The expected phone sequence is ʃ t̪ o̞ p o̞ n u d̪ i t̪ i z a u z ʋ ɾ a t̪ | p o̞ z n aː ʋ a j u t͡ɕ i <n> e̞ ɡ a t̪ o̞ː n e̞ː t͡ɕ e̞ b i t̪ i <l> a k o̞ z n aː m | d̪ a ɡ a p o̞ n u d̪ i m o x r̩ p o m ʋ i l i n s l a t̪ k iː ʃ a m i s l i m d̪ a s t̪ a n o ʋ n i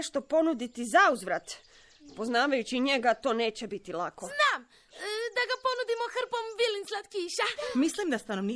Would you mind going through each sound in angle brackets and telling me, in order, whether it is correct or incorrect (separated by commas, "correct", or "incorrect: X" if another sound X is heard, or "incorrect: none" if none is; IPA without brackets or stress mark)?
incorrect: ɲ, correct